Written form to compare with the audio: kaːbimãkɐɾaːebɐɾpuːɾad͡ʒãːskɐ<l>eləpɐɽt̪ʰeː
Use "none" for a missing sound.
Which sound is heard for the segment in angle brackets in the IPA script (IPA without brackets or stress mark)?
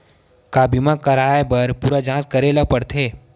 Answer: ɾ